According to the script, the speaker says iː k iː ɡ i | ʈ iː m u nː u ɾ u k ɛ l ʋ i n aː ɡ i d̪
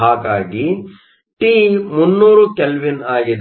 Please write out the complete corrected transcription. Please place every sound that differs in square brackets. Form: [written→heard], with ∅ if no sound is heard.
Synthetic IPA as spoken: [iː→aː] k [iː→aː] ɡ i | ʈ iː m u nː [u→uː] ɾ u k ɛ l ʋ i n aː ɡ i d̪

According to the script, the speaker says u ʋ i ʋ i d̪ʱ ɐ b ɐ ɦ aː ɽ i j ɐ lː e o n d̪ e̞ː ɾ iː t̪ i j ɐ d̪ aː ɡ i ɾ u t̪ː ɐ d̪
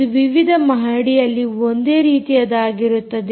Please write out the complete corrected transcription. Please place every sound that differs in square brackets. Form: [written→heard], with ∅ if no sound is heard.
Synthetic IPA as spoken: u ʋ i ʋ i d̪ʱ ɐ [b→m] ɐ ɦ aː ɽ i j ɐ lː [e→i] o n d̪ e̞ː ɾ iː t̪ i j ɐ d̪ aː ɡ i ɾ u t̪ː ɐ d̪

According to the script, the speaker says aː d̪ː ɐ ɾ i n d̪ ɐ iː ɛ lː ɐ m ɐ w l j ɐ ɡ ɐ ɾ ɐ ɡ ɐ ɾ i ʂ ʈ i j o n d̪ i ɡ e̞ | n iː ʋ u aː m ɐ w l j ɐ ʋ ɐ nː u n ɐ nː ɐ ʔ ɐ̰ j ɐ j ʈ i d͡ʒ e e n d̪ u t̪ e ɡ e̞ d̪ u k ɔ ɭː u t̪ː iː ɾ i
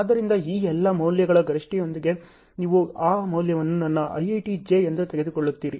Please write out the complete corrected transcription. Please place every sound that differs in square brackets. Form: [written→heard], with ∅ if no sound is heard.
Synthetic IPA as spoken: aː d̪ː ɐ ɾ i n d̪ ɐ iː ɛ lː ɐ m ɐ w l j ɐ ɡ ɐ [ɾ→ɭ] ɐ ɡ ɐ ɾ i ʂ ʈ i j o n d̪ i ɡ e̞ | n iː ʋ u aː m ɐ w l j ɐ ʋ ɐ nː u n ɐ nː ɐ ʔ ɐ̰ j ɐ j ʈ i d͡ʒ e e n d̪ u t̪ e ɡ e̞ d̪ u k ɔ ɭː u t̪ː iː ɾ i

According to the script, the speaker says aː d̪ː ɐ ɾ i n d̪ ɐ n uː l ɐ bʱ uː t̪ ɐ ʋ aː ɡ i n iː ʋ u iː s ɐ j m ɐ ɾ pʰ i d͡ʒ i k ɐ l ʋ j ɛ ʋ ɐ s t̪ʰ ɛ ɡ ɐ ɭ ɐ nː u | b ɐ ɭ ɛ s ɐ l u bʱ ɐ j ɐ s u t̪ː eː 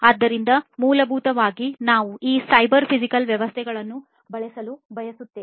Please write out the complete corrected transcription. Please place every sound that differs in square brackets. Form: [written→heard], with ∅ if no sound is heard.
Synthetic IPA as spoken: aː d̪ː ɐ ɾ i n d̪ ɐ [n→m] uː l ɐ bʱ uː t̪ ɐ ʋ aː ɡ i n [iː→aː] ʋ u iː s ɐ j [m→b] ɐ ɾ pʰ i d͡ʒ i k ɐ l ʋ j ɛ ʋ ɐ s t̪ʰ ɛ ɡ ɐ ɭ ɐ nː u | b ɐ ɭ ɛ s ɐ l u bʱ ɐ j ɐ s u t̪ː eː

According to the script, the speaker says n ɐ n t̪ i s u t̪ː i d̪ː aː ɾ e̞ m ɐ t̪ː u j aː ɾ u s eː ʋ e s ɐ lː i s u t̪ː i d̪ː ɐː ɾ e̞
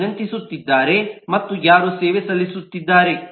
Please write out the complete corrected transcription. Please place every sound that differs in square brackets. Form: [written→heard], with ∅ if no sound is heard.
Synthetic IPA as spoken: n ɐ n t̪ i s u t̪ː i d̪ː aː ɾ e̞ m ɐ t̪ː u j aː ɾ u s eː ʋ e s ɐ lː i s u t̪ː i d̪ː [ɐː→aː] ɾ e̞

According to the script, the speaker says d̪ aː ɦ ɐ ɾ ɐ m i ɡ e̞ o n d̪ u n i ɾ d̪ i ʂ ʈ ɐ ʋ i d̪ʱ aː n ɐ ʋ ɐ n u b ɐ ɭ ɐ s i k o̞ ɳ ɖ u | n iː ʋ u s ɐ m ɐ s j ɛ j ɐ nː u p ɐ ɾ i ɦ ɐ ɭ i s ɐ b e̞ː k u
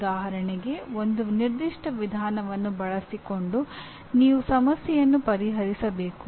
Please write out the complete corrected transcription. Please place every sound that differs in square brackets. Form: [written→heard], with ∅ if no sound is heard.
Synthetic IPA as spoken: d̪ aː ɦ ɐ ɾ ɐ [m→ɳ] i ɡ e̞ o n d̪ u n i ɾ d̪ i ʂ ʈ ɐ ʋ i d̪ʱ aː n ɐ ʋ ɐ [n→nː] u b ɐ ɭ ɐ s i k o̞ ɳ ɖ u | n iː ʋ u s ɐ m ɐ s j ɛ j ɐ nː u p ɐ ɾ i ɦ ɐ [ɭ→ɾ] i s ɐ b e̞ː k u

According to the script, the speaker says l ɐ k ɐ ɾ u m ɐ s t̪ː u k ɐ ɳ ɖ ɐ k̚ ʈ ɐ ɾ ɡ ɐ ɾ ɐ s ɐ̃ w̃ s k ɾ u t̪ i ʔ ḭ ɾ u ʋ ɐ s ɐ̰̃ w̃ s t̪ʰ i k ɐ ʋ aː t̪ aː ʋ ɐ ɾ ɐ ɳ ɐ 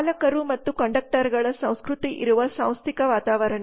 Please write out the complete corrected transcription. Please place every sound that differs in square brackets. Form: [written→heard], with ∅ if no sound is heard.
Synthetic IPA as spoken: l ɐ k ɐ ɾ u m ɐ [s→∅] t̪ː u k ɐ ɳ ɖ ɐ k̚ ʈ ɐ ɾ ɡ ɐ [ɾ→ɭ] ɐ s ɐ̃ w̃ s k ɾ u t̪ i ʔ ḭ ɾ u ʋ ɐ s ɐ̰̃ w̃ s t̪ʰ i k ɐ ʋ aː t̪ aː ʋ ɐ ɾ ɐ ɳ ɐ

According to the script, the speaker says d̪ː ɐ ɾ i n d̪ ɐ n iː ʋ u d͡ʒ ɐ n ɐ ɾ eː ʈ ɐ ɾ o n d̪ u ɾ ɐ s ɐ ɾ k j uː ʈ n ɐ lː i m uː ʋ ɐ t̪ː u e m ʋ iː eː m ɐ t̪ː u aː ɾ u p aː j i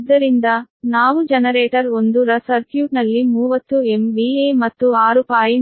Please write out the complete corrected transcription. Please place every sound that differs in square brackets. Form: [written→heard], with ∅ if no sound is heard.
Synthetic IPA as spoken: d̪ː ɐ ɾ i n d̪ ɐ n [iː→aː] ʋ u d͡ʒ ɐ n ɐ ɾ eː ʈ ɐ ɾ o n d̪ u ɾ ɐ s ɐ ɾ k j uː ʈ n ɐ lː i m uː ʋ ɐ t̪ː u e m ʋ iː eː m ɐ t̪ː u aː ɾ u p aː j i

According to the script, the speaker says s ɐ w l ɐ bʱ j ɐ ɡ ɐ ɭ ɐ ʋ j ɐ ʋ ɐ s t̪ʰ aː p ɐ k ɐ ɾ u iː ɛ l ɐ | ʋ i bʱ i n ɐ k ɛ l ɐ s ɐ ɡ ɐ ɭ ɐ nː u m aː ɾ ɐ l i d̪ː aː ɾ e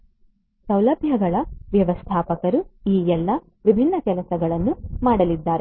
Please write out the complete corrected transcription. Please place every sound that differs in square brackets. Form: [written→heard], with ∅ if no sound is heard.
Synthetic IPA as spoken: s ɐ w l ɐ bʱ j ɐ ɡ ɐ ɭ ɐ ʋ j ɐ ʋ ɐ s t̪ʰ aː p ɐ k ɐ ɾ u iː ɛ [l→lː] ɐ | ʋ i bʱ i [n→nː] ɐ k ɛ l ɐ s ɐ ɡ ɐ ɭ ɐ nː u m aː [ɾ→ɽ] ɐ l i d̪ː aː ɾ e

